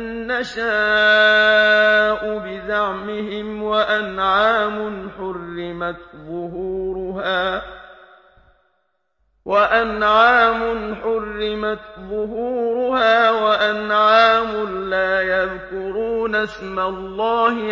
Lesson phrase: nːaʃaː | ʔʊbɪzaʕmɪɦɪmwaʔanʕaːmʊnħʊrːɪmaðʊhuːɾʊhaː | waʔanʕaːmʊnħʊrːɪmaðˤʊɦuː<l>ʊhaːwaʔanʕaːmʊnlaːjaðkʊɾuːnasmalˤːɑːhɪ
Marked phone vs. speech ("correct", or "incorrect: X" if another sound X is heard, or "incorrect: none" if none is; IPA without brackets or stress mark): incorrect: ɾ